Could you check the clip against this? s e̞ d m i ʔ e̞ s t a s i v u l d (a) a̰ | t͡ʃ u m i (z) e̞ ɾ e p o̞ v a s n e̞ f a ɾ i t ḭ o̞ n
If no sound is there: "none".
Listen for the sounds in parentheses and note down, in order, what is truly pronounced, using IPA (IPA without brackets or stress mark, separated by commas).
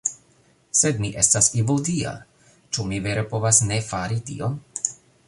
i, v